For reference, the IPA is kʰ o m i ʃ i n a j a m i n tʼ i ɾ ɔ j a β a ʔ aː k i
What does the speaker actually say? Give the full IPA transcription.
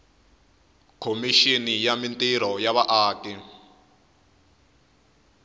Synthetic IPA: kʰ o m i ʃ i n i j a m i n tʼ i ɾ ɔ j a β a ʔ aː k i